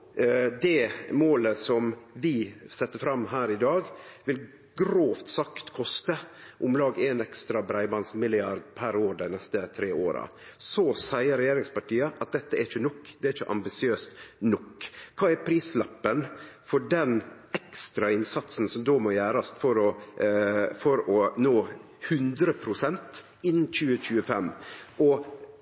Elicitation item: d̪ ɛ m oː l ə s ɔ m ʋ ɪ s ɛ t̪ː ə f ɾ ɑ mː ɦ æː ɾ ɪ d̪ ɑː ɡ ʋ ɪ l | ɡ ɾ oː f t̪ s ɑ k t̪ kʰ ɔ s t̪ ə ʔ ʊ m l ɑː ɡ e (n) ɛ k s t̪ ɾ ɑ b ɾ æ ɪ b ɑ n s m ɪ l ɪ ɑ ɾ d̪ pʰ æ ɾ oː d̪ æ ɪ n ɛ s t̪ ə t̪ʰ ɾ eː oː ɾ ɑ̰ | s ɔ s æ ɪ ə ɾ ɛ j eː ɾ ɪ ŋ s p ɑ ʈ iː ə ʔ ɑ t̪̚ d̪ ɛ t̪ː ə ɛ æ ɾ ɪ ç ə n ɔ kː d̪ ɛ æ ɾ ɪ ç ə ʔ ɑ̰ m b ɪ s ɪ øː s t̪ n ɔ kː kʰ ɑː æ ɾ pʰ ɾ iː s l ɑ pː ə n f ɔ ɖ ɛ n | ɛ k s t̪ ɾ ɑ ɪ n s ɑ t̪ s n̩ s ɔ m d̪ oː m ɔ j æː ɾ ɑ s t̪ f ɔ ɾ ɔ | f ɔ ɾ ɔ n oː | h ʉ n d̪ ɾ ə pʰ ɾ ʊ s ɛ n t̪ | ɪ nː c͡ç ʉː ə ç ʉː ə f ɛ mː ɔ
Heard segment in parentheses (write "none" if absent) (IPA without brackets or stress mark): n